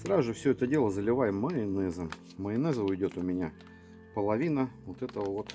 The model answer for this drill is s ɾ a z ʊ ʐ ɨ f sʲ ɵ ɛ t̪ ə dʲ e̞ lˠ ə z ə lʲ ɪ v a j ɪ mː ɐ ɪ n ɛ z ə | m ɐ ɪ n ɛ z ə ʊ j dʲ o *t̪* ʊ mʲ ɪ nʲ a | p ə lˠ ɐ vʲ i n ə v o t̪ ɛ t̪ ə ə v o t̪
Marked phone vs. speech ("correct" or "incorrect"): correct